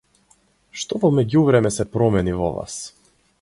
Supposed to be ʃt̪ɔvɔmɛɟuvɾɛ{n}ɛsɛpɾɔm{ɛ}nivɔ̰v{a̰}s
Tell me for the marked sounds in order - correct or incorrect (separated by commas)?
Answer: incorrect, correct, correct